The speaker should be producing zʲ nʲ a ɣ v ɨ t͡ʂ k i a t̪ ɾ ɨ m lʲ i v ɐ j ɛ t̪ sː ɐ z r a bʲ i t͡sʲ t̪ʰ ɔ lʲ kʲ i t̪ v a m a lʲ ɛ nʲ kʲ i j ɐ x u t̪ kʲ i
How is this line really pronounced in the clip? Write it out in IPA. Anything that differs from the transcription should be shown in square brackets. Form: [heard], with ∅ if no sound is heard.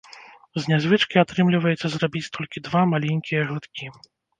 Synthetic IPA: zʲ nʲ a [z] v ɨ t͡ʂ k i a t̪ ɾ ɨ m lʲ i v ɐ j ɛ t̪ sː ɐ z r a bʲ i t͡sʲ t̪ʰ ɔ lʲ kʲ i [d̪] v a m a lʲ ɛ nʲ kʲ i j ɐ [ɣ] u t̪ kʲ i

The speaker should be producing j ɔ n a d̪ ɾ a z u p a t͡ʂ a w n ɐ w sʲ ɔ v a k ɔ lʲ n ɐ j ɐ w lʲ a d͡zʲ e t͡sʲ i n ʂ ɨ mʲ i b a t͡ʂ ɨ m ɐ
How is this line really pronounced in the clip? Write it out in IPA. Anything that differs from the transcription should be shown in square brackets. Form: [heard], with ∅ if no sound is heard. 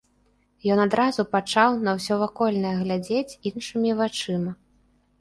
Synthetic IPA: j ɔ n a d̪ ɾ a z u p a t͡ʂ a w n ɐ w sʲ ɔ v a k ɔ lʲ n ɐ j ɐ [ɣ] lʲ a d͡zʲ e t͡sʲ i n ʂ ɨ mʲ i [v] a t͡ʂ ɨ m ɐ

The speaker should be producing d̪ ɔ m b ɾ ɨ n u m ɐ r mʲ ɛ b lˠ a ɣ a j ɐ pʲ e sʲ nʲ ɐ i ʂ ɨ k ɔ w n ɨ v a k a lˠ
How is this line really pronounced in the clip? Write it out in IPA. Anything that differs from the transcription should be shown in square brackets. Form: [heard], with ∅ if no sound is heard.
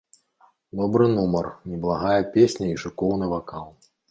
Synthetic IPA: d̪ ɔ [∅] b ɾ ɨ n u m ɐ r [nʲ] ɛ b lˠ a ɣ a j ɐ pʲ e sʲ nʲ ɐ i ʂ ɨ k ɔ w n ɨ v a k a lˠ

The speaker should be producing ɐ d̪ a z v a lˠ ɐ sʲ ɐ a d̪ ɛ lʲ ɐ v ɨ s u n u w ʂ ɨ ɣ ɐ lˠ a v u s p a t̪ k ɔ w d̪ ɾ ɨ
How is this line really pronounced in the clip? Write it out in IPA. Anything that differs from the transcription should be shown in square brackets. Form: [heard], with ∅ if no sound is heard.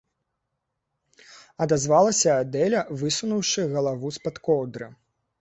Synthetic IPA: ɐ d̪ a z v a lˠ ɐ sʲ ɐ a d̪ ɛ lʲ ɐ v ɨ s u n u w ʂ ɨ ɣ ɐ lˠ a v u s p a t̪ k ɔ w d̪ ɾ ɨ

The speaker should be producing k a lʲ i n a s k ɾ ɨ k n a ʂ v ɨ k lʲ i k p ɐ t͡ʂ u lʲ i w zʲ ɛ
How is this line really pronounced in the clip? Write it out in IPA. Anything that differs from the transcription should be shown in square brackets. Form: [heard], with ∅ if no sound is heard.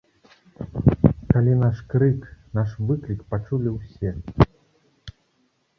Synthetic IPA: k a lʲ i n a [ʂ] k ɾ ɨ k n a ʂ v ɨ k lʲ i k p [a] t͡ʂ u lʲ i w [sʲ] ɛ

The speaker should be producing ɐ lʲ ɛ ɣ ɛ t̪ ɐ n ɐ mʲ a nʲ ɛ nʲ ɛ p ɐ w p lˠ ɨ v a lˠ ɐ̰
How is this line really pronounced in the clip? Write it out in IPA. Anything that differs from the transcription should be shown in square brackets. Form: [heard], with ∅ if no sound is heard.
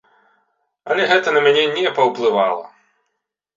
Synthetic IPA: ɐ lʲ ɛ ɣ ɛ t̪ ɐ n ɐ mʲ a nʲ ɛ nʲ ɛ p ɐ w p lˠ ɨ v a lˠ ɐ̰

